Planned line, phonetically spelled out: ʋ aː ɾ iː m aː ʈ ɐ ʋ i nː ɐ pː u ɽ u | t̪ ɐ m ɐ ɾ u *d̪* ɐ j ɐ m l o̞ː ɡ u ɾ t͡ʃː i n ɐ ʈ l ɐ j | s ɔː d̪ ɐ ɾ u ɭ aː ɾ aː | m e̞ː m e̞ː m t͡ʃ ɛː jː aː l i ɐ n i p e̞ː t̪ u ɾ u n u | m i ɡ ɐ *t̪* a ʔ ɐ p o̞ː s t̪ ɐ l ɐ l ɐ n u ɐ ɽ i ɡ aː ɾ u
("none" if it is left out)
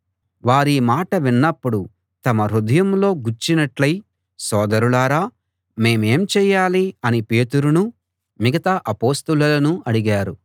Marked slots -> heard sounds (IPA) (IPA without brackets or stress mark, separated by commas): d̪, t̪